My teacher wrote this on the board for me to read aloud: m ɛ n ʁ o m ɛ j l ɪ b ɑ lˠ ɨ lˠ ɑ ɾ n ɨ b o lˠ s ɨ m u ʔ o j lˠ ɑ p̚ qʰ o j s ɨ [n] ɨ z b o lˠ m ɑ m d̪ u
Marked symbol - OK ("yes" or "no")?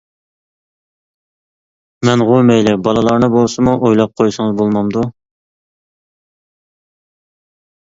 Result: no